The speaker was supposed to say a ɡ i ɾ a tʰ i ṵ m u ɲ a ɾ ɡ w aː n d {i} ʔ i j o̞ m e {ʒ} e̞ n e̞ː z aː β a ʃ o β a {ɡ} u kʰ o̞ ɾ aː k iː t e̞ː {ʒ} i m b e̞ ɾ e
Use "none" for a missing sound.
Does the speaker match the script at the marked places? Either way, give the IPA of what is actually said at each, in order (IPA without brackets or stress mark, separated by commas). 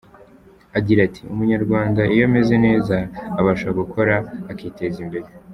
a, z, ɡ, z